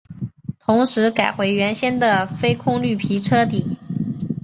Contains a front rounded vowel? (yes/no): yes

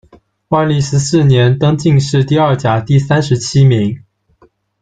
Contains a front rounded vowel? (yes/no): no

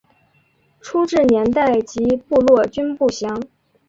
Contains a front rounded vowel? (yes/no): yes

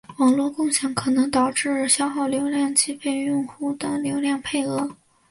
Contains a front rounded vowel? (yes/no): no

